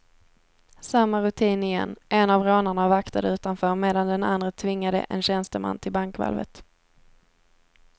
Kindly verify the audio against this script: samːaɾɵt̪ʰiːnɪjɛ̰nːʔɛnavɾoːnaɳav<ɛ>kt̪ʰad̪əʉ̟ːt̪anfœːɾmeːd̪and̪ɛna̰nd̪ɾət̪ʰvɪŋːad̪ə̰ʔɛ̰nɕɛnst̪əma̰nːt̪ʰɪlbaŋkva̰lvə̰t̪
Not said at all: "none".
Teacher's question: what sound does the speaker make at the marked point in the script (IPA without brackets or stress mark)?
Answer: a